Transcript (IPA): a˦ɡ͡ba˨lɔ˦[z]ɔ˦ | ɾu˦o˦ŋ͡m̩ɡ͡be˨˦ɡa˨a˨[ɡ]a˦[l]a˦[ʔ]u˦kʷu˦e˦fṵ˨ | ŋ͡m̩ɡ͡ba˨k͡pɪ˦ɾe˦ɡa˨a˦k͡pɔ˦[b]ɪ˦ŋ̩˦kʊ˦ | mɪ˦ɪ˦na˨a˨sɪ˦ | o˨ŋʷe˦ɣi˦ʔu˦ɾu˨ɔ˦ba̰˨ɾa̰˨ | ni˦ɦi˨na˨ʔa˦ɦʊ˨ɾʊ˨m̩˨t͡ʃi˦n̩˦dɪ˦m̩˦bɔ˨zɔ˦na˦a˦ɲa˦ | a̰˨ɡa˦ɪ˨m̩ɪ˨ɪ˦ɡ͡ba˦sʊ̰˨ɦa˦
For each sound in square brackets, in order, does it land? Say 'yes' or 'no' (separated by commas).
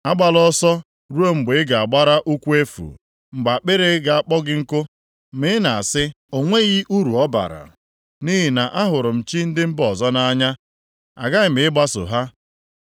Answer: no, no, no, yes, no